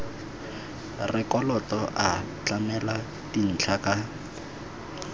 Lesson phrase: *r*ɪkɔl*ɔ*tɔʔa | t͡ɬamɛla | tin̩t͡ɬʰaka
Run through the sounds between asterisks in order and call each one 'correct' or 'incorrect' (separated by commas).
correct, correct